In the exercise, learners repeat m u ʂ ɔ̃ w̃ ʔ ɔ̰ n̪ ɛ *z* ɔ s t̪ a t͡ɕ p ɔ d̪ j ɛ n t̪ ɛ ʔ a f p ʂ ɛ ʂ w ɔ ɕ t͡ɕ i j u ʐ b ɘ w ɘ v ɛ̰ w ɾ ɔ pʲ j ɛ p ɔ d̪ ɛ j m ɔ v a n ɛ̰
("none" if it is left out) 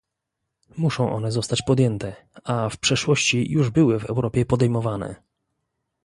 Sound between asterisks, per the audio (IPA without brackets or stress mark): z